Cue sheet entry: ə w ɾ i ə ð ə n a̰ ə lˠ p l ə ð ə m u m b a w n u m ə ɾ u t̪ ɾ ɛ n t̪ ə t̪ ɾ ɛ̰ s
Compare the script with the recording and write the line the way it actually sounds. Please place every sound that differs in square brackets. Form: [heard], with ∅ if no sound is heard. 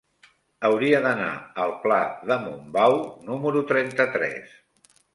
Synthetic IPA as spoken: ə w ɾ i ə ð ə n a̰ ə lˠ p l [a] ð ə m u m b a w n u m ə ɾ u t̪ ɾ ɛ n t̪ ə t̪ ɾ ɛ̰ s